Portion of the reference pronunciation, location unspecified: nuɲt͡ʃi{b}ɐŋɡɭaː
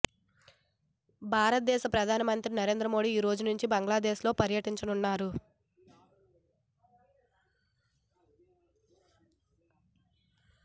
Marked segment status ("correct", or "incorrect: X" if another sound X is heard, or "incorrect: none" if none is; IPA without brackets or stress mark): correct